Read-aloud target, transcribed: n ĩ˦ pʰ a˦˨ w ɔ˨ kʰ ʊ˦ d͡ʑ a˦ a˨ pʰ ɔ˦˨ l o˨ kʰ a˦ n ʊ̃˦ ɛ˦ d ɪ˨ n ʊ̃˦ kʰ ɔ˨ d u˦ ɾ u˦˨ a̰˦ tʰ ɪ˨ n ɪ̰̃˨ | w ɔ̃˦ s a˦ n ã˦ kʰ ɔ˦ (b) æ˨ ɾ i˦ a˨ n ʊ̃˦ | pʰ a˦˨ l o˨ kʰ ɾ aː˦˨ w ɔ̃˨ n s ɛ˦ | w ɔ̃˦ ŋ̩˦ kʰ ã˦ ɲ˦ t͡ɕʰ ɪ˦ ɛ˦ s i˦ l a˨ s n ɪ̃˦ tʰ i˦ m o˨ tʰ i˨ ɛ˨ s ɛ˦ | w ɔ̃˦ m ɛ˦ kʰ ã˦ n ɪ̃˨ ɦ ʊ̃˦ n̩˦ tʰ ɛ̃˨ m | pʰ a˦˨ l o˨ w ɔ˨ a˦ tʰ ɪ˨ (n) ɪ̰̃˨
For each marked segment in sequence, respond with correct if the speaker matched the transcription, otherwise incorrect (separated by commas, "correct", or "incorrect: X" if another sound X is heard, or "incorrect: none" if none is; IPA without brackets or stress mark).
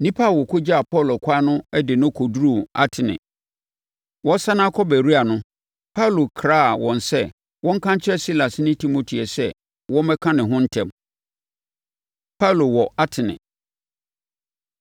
correct, correct